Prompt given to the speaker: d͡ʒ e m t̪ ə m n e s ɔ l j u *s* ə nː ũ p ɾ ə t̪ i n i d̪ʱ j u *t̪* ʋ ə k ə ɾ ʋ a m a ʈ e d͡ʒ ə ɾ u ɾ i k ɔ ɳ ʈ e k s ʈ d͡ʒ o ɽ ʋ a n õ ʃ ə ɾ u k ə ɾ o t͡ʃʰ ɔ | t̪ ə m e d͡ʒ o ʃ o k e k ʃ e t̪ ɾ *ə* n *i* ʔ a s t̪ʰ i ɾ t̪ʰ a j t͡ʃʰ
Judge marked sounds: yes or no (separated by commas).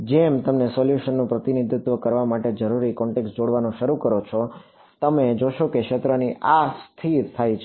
no, yes, yes, yes